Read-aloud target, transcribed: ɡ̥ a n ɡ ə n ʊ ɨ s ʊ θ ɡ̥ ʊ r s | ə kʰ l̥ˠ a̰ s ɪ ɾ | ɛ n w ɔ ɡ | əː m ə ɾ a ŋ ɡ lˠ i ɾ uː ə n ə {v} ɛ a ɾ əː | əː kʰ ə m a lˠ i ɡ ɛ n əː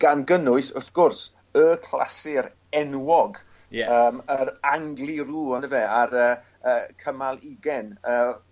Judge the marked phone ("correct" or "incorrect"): correct